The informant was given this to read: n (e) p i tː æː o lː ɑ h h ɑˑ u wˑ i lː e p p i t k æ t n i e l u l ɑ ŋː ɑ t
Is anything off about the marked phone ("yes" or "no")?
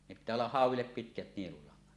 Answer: no